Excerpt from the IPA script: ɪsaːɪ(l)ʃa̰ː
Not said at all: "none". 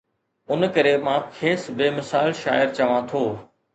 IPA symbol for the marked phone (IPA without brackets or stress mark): l